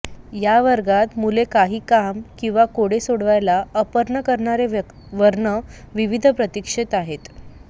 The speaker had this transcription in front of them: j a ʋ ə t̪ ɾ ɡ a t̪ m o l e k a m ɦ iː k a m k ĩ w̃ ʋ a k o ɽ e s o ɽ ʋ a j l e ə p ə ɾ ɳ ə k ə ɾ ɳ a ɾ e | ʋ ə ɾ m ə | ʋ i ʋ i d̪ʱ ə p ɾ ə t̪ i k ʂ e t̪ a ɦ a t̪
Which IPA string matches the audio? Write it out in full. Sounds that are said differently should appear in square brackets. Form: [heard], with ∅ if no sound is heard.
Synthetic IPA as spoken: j a ʋ ə [∅] ɾ ɡ a t̪ m [u] l e k a [∅] ɦ iː k a m k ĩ w̃ ʋ a k o ɽ e s o ɽ ʋ a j l [a] ə p ə ɾ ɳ ə k ə ɾ ɳ a ɾ e | ʋ ə ɾ [ɳ] ə | ʋ i ʋ i d̪ʱ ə p ɾ ə t̪ i k ʂ e t̪ a ɦ [e] t̪